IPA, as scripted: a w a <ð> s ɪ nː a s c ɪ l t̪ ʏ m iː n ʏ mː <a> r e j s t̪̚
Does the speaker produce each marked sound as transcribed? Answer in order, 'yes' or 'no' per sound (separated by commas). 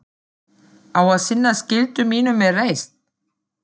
yes, no